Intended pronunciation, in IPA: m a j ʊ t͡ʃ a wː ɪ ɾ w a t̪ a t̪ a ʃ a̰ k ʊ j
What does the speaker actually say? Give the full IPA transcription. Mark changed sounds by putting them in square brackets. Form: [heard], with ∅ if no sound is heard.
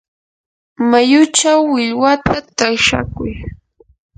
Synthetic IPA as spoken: m a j ʊ t͡ʃ a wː ɪ [ʎ] w a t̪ a t̪ a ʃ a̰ k ʊ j